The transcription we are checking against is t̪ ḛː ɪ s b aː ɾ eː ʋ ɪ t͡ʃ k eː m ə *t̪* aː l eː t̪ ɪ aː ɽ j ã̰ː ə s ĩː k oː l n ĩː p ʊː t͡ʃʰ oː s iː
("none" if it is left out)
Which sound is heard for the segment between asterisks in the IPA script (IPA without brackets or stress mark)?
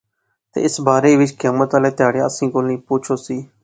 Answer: t̪